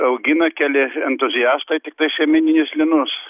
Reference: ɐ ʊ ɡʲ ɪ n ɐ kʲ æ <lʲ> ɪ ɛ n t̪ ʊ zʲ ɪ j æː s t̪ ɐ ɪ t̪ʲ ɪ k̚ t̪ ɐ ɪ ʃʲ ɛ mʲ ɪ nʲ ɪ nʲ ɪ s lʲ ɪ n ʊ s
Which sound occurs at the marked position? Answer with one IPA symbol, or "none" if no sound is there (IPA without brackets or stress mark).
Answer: lʲ